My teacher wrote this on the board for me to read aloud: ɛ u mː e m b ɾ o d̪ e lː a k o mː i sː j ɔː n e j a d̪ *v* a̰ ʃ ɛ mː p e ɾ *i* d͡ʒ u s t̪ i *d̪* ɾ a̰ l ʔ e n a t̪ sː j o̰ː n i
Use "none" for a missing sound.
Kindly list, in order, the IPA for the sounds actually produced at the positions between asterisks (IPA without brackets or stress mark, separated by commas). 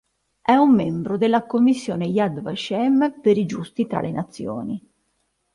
v, i, t̪